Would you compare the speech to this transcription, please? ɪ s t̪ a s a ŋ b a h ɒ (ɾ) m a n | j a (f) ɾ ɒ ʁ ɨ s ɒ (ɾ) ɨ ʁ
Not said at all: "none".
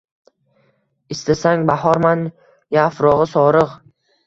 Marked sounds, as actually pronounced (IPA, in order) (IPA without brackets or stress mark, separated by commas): ɾ, f, ɾ